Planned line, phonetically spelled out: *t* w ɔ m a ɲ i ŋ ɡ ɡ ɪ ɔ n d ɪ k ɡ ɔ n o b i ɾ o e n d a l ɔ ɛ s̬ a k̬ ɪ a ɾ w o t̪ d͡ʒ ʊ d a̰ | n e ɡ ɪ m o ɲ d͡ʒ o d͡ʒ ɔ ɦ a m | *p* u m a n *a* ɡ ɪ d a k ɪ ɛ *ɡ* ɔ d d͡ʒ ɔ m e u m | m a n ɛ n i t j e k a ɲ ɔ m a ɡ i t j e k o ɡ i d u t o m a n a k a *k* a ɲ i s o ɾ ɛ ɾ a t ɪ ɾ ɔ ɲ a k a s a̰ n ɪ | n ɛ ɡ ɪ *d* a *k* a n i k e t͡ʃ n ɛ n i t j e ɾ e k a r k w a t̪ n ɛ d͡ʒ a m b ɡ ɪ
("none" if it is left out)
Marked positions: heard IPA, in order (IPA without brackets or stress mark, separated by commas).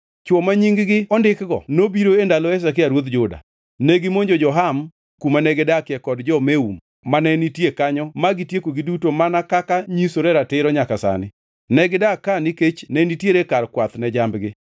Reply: t͡ʃ, k, ɛ, k, k, d, k